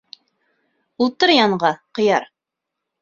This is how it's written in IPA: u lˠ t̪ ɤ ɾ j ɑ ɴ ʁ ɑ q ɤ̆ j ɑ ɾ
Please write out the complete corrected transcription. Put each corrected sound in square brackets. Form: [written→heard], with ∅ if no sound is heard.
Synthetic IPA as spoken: u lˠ t̪ ɤ ɾ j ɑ ɴ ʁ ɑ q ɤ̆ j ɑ ɾ